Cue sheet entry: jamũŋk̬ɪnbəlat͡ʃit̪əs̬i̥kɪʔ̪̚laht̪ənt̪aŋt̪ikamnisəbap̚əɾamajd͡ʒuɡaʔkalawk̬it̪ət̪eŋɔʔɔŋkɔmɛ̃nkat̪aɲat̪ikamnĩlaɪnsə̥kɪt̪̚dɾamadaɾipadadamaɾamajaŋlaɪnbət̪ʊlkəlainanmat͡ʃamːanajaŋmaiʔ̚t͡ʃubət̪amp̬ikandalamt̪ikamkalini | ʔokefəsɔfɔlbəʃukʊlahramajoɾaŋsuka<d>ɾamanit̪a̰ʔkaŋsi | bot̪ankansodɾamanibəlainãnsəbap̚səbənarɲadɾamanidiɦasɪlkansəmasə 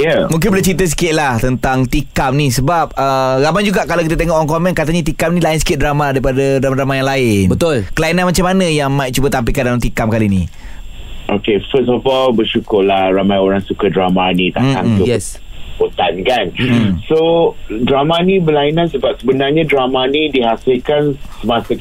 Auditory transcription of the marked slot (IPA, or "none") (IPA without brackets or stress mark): d